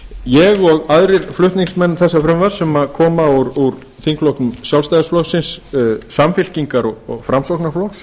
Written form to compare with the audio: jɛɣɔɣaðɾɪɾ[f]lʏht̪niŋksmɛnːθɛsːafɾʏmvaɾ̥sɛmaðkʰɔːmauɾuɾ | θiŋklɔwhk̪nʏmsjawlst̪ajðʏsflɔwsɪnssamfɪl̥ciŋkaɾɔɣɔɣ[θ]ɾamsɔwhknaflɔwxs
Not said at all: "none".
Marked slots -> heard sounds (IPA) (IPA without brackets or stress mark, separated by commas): f, f